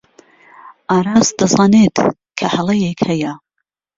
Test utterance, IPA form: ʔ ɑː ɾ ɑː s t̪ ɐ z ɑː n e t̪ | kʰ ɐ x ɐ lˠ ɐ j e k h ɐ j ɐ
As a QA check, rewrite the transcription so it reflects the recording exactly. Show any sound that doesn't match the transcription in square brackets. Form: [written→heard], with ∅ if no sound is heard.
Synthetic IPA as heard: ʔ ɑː ɾ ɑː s [t̪→d̪] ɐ z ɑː n e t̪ | kʰ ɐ [x→h] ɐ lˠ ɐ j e k h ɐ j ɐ